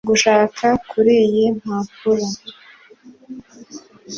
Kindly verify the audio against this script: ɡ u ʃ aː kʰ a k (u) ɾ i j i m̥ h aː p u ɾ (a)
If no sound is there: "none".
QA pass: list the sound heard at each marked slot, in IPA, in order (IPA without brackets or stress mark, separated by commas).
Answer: u, a